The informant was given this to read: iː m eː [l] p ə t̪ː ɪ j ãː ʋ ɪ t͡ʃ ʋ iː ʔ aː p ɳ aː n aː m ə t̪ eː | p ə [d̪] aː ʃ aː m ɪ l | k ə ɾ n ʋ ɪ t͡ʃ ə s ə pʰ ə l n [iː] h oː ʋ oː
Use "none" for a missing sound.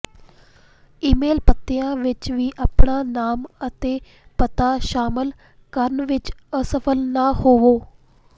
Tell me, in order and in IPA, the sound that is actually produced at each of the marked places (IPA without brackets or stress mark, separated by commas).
l, t̪, aː